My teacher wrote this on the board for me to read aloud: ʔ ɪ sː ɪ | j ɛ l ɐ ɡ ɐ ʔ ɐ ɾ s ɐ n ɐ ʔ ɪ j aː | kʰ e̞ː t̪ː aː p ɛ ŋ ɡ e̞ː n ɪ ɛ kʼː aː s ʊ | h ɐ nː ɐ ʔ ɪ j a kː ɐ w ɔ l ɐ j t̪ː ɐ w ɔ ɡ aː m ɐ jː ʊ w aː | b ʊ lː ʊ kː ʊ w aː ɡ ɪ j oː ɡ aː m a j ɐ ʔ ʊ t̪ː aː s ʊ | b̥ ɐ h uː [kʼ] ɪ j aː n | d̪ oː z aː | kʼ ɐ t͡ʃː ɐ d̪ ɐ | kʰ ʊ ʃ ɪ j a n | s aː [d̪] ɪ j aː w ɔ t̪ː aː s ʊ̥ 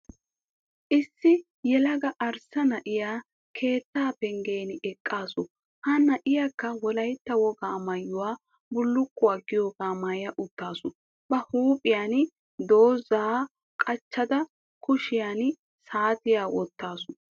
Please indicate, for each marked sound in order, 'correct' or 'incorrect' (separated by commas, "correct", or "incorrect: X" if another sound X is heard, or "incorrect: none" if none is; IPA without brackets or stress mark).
incorrect: pʼ, incorrect: t̪